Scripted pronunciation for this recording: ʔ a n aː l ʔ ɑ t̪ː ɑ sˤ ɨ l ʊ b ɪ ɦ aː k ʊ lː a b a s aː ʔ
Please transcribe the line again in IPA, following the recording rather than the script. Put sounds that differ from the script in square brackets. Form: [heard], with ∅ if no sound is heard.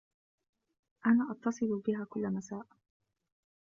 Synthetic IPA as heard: ʔ a n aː [∅] ʔ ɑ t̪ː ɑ sˤ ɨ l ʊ b ɪ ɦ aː k ʊ lː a [m] a s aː ʔ